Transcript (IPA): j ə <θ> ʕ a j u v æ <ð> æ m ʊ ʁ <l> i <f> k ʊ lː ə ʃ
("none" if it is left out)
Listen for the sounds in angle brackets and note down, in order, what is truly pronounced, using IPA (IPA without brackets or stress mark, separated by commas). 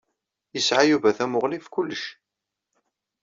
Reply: s, θ, l, f